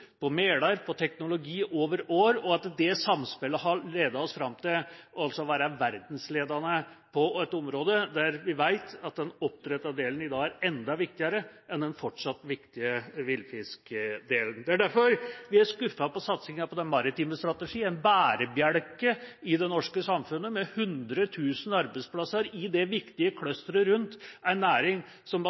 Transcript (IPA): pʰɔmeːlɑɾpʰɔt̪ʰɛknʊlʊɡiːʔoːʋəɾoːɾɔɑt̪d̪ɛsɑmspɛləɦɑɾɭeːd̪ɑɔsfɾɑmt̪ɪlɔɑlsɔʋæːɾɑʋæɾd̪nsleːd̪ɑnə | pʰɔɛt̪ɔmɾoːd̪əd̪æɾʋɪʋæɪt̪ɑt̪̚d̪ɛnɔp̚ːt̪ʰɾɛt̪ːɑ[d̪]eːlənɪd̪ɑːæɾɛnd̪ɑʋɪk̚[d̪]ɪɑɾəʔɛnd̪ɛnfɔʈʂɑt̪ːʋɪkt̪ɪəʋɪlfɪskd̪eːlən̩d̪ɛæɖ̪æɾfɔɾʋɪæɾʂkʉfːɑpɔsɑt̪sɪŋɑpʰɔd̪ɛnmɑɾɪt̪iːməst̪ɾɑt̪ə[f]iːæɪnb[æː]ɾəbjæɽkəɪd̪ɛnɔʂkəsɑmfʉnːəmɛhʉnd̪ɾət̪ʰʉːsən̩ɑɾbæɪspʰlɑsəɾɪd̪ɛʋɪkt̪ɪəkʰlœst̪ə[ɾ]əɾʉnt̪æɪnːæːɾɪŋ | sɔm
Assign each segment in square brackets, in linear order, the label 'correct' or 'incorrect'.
correct, incorrect: t̪, incorrect: ʂ, correct, correct

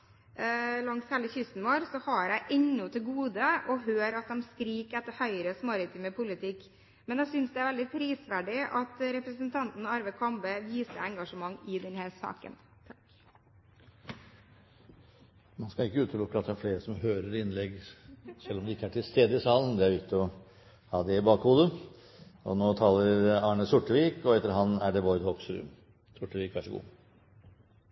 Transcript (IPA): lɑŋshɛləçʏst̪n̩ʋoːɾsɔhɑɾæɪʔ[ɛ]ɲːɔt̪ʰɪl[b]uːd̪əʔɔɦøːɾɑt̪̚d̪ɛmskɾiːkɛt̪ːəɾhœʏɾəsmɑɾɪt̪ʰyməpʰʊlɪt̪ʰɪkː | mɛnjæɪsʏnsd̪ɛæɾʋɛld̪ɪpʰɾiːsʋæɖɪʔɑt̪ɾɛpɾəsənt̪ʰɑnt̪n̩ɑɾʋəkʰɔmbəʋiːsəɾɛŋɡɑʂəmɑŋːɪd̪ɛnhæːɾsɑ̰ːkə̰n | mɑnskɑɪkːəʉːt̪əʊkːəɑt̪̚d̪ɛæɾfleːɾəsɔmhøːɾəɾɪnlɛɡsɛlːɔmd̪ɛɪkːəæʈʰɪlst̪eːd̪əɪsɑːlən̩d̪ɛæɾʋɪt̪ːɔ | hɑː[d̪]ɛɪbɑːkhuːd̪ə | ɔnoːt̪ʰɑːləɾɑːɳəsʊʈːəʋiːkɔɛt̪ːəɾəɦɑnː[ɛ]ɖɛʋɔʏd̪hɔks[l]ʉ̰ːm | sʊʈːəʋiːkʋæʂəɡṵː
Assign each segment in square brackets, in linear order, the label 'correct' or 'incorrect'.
correct, incorrect: ɡ, correct, incorrect: æ, incorrect: ɾ

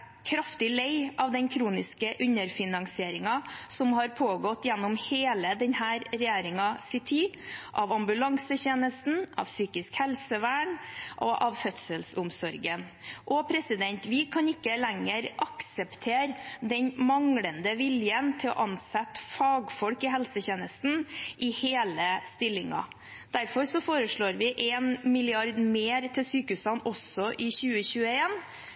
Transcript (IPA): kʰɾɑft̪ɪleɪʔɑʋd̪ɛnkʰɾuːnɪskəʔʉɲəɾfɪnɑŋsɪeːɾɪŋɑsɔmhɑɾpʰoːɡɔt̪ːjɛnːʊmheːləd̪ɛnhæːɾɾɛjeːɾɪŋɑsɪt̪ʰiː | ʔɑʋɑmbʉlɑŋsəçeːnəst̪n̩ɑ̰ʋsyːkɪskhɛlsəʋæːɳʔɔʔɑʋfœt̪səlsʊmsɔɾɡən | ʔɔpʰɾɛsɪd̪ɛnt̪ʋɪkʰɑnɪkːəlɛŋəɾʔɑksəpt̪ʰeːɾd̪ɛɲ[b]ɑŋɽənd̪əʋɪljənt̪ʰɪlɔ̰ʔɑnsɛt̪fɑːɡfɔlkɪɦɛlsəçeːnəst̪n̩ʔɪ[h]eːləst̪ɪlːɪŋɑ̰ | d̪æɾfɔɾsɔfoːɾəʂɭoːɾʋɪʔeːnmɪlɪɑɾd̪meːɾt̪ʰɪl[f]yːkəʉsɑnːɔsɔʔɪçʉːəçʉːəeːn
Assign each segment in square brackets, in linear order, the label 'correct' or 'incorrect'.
incorrect: m, correct, incorrect: s

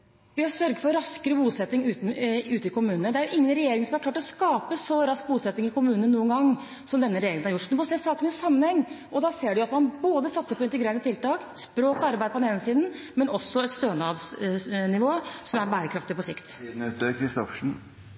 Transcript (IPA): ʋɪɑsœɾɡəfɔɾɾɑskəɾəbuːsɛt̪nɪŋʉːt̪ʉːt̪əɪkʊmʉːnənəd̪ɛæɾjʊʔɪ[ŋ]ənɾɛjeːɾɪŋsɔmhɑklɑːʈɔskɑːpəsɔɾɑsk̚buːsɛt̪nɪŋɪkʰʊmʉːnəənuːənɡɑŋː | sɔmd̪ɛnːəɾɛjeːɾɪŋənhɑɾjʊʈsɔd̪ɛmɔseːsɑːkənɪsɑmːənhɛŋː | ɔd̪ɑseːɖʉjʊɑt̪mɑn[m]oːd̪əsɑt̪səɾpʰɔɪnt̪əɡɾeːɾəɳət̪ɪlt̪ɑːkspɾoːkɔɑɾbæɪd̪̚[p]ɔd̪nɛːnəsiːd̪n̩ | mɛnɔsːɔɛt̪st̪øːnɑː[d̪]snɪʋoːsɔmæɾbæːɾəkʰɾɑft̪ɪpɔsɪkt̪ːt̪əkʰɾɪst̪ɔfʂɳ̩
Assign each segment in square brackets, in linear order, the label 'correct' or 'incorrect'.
incorrect: ŋː, incorrect: b, correct, correct

